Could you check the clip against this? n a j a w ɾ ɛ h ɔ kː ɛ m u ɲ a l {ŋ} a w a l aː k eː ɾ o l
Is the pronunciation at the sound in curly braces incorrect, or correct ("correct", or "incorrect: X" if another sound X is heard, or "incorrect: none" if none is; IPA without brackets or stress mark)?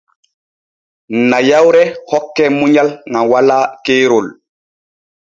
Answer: correct